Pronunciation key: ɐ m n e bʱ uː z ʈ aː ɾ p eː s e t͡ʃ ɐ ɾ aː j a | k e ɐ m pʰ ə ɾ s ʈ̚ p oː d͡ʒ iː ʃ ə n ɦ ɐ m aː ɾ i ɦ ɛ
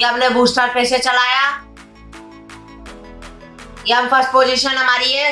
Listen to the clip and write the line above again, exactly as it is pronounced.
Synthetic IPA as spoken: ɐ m n e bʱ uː s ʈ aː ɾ p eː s e t͡ʃ ɐ l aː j a | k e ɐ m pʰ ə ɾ s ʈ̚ p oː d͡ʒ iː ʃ ə n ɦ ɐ m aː ɾ i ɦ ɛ